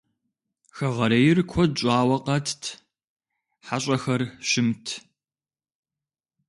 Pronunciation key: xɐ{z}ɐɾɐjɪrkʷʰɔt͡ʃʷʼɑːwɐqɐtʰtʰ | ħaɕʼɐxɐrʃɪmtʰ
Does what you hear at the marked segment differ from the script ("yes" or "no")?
yes